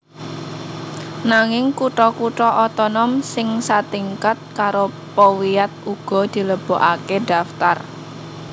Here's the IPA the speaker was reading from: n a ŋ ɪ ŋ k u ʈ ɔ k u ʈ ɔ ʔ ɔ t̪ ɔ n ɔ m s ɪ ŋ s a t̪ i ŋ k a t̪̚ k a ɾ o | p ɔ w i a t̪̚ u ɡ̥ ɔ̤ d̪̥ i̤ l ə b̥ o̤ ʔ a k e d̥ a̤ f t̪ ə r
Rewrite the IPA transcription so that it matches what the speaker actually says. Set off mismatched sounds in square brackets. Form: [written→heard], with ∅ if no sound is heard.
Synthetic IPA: n a ŋ ɪ ŋ k u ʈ ɔ k u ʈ ɔ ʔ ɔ t̪ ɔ n ɔ m s ɪ ŋ s a t̪ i ŋ k a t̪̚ k a ɾ o | p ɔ w i a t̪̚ u ɡ̥ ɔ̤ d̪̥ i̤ l ə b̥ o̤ ʔ a k e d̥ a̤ f t̪ [ə→a] r